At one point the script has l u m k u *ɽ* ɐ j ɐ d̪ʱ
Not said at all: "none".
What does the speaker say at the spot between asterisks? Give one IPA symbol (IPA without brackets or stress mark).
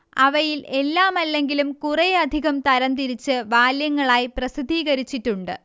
r